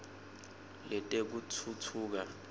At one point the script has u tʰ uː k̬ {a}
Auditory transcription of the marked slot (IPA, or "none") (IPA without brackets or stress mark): a